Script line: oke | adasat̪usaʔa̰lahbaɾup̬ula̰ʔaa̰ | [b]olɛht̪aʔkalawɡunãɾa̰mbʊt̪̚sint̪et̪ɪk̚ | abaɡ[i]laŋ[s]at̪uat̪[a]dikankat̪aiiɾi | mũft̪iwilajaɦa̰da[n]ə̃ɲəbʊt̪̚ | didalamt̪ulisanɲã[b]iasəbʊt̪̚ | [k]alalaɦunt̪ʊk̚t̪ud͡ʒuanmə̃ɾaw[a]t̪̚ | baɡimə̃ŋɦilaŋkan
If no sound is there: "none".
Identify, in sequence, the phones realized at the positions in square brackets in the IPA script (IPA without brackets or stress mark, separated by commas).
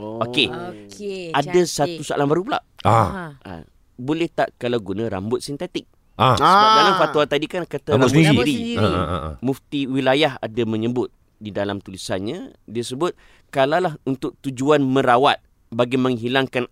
b, a, f, a, m, d, k, a